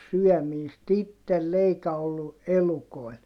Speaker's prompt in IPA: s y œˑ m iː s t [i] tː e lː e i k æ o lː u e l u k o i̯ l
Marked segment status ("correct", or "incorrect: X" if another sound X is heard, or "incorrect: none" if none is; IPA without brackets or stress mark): correct